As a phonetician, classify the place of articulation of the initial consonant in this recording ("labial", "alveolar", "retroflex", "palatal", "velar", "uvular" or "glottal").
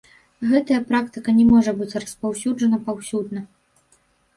velar